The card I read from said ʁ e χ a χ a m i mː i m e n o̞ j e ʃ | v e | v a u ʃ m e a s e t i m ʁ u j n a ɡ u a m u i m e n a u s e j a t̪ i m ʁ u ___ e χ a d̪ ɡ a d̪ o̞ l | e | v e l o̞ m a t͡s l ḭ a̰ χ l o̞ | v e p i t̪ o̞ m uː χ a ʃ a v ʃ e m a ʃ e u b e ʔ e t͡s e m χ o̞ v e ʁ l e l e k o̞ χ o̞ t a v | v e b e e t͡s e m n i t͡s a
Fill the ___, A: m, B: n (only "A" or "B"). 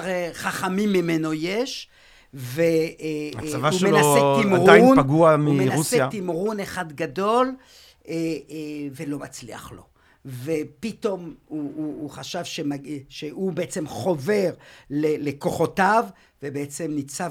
B